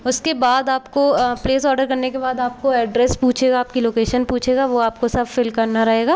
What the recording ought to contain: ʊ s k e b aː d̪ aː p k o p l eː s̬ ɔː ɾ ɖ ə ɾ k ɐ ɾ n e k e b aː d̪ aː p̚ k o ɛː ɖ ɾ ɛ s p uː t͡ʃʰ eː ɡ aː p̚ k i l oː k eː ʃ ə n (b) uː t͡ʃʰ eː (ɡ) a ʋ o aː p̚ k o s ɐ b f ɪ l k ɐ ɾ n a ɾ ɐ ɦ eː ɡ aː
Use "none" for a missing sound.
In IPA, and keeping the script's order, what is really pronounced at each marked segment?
p, ɡ

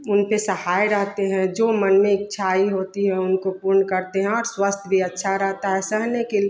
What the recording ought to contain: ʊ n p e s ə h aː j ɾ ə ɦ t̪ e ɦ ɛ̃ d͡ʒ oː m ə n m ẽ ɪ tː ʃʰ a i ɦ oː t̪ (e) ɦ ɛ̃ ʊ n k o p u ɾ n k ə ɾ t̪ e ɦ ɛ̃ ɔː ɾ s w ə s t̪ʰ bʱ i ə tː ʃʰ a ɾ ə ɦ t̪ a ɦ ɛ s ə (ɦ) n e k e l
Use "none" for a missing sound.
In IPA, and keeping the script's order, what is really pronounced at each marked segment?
i, ɦ

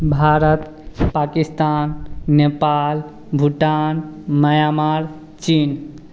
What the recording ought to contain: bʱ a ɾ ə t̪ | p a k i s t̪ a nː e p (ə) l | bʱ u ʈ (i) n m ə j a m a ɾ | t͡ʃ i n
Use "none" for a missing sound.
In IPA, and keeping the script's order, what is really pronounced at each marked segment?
a, a

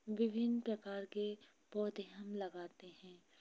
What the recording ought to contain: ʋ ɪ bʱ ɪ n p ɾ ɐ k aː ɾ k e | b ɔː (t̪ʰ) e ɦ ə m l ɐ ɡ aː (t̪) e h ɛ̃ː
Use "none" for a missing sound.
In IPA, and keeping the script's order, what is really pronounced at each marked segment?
t̪, t̪

